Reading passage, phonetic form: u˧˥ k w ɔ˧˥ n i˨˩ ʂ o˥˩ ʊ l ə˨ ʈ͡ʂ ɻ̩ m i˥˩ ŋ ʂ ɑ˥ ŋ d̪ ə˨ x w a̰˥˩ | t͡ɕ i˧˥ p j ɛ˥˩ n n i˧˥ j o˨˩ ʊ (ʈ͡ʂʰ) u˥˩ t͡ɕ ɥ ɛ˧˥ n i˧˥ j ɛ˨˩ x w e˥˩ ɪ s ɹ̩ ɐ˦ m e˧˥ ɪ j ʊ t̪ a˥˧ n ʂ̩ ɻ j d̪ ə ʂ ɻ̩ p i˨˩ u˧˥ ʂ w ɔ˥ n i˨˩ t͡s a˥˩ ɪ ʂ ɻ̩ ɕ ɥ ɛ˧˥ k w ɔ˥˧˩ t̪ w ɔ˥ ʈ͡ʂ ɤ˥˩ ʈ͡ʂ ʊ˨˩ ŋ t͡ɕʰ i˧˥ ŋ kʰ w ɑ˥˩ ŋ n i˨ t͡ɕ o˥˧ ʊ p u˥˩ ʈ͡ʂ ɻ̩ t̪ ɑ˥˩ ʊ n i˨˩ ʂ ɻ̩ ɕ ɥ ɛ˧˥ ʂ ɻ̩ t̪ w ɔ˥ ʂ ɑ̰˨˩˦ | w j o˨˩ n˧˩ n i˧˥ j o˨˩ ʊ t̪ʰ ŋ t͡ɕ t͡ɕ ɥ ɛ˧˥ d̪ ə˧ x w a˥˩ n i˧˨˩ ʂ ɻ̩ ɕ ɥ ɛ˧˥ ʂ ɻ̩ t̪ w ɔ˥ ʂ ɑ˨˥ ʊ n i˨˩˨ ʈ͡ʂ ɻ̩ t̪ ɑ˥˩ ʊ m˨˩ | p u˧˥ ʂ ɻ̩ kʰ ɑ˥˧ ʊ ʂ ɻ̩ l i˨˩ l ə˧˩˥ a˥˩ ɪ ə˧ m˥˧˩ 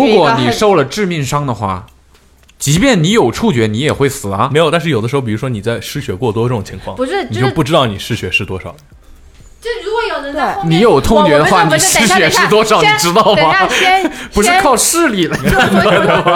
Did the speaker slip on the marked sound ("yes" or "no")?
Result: no